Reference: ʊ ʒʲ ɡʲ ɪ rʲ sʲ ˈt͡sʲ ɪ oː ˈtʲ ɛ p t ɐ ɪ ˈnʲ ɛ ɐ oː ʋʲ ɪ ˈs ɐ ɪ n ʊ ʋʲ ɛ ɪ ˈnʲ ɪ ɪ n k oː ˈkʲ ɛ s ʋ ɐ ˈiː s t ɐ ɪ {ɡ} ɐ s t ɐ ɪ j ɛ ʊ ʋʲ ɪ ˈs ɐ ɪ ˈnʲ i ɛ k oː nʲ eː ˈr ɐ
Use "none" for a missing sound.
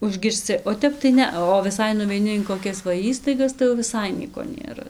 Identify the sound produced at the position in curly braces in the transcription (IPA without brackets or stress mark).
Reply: ɡ